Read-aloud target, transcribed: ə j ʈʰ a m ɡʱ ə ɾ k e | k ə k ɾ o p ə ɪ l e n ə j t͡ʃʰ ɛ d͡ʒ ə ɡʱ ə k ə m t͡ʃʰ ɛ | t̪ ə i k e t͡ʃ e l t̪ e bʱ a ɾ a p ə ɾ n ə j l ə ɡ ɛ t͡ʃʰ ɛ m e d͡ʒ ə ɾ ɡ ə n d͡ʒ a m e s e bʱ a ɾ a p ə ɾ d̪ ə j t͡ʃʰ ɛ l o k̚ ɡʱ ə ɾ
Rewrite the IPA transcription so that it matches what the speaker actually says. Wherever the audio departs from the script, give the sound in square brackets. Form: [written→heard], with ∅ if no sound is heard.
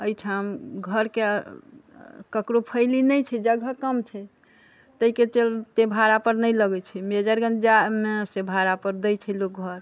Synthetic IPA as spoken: ə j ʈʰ a m ɡʱ ə ɾ k e | k ə k ɾ o [p→pʰ] ə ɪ l [e→i] n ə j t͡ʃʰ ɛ d͡ʒ ə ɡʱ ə k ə m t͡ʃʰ ɛ | t̪ ə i k e t͡ʃ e l t̪ e bʱ a ɾ a p ə ɾ n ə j l ə ɡ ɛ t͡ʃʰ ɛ m e d͡ʒ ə ɾ ɡ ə n d͡ʒ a m e s e bʱ a ɾ a p ə ɾ d̪ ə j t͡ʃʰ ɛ l o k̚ ɡʱ ə ɾ